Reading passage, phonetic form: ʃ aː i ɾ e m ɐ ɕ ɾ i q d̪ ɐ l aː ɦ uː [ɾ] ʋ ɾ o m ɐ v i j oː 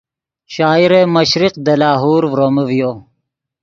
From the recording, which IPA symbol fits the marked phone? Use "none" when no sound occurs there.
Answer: ɾ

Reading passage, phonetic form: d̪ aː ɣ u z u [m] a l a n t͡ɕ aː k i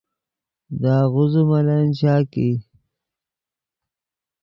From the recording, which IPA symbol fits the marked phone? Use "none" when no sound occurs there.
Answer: m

